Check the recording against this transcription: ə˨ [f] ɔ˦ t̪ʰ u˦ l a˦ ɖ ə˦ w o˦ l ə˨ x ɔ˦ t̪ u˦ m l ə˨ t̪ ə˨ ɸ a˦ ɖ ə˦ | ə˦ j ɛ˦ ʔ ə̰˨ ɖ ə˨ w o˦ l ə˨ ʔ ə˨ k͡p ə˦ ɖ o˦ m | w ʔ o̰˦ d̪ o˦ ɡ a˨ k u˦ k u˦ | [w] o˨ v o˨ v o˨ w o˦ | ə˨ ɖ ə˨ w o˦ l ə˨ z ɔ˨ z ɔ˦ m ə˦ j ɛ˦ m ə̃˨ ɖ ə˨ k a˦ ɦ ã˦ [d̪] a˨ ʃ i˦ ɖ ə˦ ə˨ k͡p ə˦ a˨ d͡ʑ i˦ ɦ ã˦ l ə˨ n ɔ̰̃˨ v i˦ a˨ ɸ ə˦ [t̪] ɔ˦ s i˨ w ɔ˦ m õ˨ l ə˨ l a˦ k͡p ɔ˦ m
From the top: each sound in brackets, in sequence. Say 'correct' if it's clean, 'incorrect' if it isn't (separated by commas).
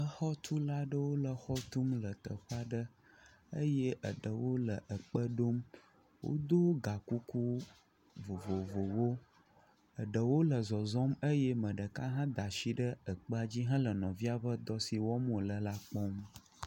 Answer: incorrect, incorrect, correct, incorrect